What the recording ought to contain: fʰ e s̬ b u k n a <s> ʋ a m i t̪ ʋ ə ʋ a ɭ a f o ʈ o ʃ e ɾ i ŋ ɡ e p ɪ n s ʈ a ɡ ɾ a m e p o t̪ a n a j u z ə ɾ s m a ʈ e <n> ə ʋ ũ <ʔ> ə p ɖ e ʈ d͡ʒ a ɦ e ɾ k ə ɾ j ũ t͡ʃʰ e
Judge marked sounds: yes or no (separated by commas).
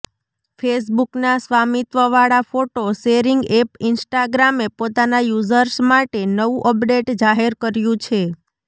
yes, yes, yes